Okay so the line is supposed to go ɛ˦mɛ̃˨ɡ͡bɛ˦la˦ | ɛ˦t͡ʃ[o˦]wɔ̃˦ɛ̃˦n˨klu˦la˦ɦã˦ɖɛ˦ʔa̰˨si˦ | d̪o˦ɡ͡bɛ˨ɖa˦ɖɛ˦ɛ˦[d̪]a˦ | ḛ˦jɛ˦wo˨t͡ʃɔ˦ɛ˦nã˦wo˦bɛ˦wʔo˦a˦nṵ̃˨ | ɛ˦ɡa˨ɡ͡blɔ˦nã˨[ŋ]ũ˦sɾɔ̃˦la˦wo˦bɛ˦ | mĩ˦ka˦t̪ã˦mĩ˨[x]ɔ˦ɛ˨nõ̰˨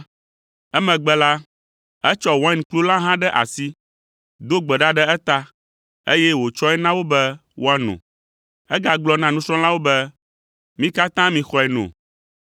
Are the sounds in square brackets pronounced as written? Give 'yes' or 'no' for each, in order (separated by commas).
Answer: no, no, no, yes